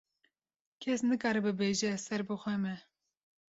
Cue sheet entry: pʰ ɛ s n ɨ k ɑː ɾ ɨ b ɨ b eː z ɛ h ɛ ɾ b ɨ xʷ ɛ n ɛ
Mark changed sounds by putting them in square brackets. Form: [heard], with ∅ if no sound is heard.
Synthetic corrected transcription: [kʰ] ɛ s n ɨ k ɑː ɾ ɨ b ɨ b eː [ʒ] ɛ [s] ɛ ɾ b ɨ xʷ ɛ [m] ɛ